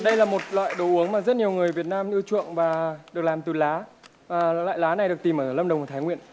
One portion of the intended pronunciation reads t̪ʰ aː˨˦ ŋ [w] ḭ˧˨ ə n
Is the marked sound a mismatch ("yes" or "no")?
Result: no